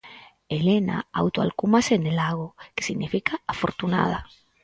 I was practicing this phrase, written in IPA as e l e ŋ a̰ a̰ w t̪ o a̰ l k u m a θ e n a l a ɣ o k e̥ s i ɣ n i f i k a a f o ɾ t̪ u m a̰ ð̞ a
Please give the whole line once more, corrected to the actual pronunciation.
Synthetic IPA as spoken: e l e n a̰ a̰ w t̪ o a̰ l k u m a s e n e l a ɣ o k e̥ s i ɣ n i f i k a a f o ɾ t̪ u n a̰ ð̞ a